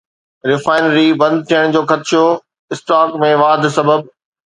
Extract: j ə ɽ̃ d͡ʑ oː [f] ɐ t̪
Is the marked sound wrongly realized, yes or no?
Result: yes